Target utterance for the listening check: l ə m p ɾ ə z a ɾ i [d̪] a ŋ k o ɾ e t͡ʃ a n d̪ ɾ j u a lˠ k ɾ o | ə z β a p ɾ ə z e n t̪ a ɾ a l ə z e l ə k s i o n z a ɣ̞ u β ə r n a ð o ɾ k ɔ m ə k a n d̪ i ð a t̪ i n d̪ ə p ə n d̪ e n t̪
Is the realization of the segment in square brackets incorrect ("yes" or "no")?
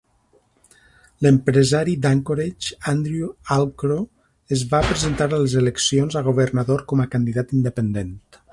no